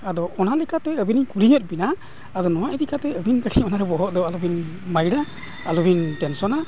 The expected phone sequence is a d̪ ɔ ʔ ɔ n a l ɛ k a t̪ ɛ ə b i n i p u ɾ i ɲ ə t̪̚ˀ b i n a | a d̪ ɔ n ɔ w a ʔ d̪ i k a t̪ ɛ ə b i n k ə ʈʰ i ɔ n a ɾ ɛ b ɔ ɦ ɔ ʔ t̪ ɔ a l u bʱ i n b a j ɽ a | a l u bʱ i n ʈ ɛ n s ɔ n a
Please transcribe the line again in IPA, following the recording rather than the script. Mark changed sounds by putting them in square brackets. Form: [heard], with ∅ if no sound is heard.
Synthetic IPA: a d̪ ɔ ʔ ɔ n a l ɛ k a t̪ ɛ ə b i n i [k] u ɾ i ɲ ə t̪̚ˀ b i n a | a d̪ ɔ n ɔ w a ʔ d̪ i k a t̪ ɛ ə b i n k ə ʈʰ i ɔ n a ɾ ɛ b ɔ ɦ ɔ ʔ [d̪] ɔ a l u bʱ i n [m] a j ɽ a | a l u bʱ i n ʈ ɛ n s ɔ n a